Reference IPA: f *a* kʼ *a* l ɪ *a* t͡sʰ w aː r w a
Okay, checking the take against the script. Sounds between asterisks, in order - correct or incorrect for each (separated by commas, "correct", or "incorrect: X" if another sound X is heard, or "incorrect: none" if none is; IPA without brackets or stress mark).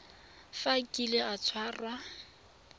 correct, incorrect: i, correct